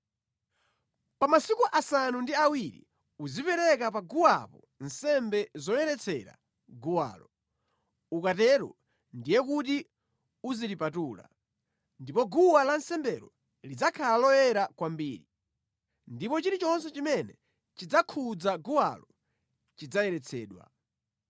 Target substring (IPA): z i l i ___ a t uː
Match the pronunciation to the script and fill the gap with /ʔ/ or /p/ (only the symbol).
p